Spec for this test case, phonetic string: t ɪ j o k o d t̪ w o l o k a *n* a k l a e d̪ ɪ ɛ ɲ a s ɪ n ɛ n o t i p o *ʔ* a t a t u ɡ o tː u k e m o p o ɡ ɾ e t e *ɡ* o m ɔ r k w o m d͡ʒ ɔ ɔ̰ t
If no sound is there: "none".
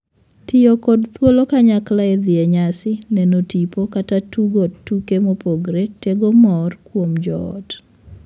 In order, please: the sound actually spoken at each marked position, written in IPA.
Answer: ɲ, k, ɡ

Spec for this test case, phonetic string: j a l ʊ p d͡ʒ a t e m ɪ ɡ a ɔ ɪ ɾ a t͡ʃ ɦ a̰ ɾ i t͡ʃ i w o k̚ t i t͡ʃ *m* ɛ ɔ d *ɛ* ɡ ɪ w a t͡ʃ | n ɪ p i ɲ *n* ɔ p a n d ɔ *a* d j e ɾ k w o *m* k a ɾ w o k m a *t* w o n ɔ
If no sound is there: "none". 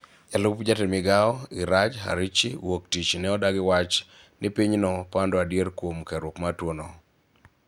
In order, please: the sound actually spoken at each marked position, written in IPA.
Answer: n, a, n, a, m, t

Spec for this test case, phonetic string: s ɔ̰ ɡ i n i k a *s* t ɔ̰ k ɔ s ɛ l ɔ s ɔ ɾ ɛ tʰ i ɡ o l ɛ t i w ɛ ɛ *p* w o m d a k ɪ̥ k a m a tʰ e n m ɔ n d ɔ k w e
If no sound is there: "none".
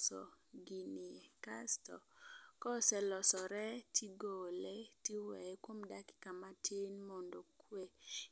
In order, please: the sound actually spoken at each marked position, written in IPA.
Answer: s, k

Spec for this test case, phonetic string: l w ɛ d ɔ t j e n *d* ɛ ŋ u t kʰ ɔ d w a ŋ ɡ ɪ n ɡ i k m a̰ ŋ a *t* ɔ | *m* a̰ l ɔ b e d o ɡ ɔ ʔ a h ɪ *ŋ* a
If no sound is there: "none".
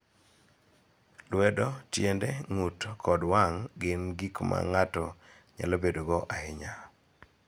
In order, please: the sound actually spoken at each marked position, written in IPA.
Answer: d, t, ɲ, ɲ

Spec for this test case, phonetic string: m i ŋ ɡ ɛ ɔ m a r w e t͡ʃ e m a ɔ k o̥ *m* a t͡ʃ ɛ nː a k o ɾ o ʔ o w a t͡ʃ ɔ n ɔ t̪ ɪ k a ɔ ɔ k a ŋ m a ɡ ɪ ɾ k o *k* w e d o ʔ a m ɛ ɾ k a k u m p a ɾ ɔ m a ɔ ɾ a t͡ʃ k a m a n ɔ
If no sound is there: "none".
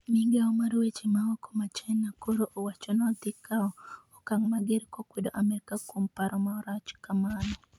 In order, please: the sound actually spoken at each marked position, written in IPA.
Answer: m, k

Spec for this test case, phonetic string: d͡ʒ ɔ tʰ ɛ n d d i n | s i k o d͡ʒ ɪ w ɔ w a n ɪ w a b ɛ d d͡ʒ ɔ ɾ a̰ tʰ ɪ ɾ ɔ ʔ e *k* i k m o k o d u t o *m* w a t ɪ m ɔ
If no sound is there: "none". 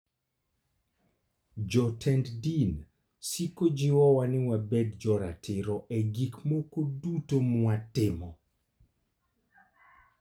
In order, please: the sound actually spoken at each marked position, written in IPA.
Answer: ɡ, m

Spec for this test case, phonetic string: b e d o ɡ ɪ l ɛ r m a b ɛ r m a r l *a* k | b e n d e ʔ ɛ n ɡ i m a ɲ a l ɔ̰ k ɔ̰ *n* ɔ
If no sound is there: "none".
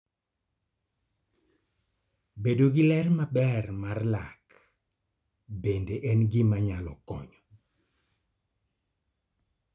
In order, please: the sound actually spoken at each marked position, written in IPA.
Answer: a, ɲ

